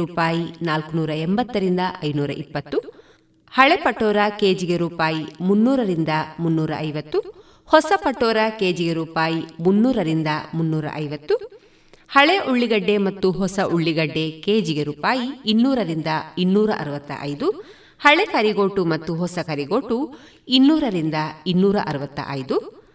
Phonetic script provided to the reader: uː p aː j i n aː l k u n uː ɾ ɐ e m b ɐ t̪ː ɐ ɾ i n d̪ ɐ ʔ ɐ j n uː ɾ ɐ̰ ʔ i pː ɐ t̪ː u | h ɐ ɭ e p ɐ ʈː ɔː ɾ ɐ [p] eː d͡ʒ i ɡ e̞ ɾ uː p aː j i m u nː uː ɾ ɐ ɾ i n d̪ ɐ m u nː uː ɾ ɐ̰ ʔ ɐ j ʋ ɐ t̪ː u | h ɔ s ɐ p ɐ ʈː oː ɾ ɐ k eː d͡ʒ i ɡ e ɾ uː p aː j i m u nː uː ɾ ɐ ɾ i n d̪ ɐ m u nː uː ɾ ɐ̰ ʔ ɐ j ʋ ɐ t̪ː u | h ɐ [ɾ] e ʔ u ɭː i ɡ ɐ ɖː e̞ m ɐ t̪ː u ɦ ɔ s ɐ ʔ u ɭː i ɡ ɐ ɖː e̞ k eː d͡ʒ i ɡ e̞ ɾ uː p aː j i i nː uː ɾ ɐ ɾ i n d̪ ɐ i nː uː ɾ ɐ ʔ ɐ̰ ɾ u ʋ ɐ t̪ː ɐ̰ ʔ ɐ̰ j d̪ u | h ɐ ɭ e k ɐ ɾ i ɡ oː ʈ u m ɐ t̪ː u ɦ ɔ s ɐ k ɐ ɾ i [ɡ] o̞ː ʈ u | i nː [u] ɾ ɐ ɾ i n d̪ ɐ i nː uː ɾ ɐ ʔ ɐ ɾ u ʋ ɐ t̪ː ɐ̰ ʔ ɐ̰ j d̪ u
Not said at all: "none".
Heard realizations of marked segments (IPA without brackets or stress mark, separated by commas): k, ɭ, ɡ, uː